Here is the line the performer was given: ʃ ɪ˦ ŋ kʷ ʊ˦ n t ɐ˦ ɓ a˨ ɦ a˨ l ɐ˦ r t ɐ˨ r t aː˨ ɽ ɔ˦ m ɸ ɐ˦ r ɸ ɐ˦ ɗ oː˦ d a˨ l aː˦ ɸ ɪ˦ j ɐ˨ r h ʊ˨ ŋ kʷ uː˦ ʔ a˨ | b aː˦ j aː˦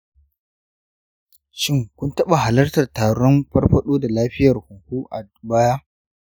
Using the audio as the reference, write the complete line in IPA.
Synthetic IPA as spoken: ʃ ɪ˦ ŋ kʷ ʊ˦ n t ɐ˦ ɓ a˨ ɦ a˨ l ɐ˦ r t ɐ˨ r t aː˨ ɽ ɔ˦ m ɸ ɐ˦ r ɸ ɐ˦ ɗ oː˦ d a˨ l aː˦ ɸ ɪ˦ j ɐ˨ r h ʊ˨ ŋ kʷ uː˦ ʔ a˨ | b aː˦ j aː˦